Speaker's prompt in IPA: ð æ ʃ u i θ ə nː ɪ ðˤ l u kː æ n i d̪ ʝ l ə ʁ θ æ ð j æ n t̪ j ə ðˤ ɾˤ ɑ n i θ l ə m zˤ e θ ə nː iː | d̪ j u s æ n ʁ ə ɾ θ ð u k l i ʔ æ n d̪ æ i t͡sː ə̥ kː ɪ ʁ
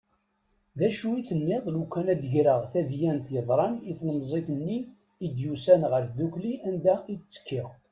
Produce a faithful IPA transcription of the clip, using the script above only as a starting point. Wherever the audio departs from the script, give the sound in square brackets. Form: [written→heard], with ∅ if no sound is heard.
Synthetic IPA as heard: ð æ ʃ u i θ ə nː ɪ ðˤ l u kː æ n [i→æ] d̪ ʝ [l→ɾ] ə ʁ θ æ ð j æ n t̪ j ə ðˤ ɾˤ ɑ n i θ l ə m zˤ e θ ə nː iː | d̪ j u s æ n ʁ ə ɾ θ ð u k l i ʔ æ n d̪ æ i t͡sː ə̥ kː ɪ ʁ